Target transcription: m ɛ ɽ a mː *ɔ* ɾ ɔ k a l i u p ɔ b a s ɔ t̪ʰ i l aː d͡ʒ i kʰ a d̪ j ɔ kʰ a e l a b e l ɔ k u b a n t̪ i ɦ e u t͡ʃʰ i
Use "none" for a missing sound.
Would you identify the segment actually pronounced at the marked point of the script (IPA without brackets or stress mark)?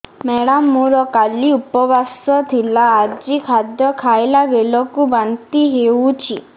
u